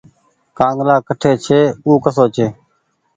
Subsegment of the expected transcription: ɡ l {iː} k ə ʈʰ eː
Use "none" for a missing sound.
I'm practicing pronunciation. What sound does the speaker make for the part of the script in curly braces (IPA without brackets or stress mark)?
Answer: aː